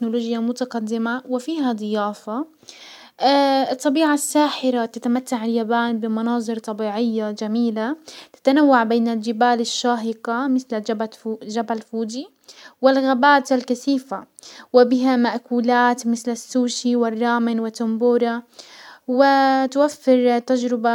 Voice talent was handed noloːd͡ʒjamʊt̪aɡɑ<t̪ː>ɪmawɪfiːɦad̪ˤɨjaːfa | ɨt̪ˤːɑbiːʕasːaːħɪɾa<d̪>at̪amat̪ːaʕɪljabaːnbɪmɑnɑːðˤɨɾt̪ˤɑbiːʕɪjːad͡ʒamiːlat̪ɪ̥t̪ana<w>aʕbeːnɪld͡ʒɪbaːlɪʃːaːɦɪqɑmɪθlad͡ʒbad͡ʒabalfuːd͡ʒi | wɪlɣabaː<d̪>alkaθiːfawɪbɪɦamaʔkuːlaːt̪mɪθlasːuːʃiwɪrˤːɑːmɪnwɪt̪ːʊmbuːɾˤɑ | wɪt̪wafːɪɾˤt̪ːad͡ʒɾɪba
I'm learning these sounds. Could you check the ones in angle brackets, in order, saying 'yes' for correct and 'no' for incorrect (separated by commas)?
no, no, no, no